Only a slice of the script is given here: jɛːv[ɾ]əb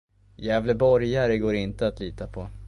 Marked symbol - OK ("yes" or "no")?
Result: no